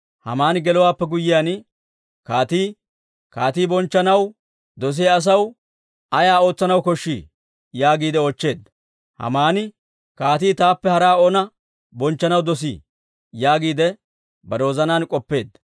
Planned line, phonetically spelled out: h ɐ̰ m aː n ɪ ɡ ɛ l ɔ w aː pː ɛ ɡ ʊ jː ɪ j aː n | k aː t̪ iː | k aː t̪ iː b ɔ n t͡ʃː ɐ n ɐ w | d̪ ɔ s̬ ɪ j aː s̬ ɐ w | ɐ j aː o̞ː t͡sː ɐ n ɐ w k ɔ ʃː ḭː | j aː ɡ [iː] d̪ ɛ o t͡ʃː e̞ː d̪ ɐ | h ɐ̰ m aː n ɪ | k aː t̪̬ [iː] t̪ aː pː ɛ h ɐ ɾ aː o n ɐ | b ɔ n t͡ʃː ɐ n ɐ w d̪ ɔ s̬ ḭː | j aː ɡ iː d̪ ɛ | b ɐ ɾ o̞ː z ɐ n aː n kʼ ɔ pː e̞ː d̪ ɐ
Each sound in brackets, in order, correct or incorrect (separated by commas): correct, correct